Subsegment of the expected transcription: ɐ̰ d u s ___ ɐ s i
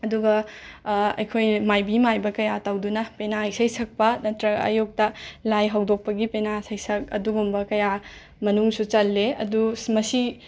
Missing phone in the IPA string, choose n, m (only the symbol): m